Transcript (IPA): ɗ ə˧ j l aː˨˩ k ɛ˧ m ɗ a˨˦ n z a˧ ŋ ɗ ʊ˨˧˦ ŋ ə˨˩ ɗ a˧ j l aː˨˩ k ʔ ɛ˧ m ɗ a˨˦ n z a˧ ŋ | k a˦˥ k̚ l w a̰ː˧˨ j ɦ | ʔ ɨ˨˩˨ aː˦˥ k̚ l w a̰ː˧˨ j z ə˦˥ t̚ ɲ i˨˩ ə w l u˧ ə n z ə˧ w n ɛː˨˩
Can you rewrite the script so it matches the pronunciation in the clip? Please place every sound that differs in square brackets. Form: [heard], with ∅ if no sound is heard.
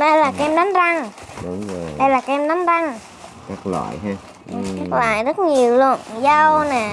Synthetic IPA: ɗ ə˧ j l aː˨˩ k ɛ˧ m ɗ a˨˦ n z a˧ ŋ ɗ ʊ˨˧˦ [ŋ͡m] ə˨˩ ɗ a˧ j l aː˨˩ k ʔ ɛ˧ m ɗ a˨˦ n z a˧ ŋ | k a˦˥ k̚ l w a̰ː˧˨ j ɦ | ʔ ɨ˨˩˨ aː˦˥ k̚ l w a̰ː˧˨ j z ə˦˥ t̚ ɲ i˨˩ ə w l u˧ ə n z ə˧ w n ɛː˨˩